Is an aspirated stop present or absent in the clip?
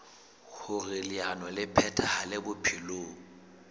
present